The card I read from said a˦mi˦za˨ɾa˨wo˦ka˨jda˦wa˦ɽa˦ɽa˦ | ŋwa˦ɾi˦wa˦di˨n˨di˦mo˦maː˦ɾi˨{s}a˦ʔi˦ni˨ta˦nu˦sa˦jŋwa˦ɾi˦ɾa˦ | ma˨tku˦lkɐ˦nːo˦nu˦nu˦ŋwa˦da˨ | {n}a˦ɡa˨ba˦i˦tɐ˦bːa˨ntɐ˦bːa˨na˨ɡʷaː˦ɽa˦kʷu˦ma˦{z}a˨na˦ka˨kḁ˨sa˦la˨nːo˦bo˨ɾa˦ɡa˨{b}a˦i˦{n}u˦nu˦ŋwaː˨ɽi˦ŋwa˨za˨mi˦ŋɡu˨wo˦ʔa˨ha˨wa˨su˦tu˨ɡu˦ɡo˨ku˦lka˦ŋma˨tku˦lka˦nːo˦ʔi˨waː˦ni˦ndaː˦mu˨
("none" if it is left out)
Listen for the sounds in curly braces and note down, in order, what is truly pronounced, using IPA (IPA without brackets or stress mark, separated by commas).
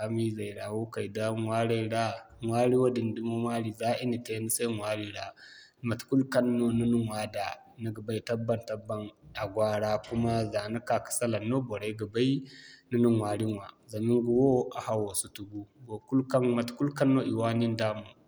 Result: z, n, z, b, n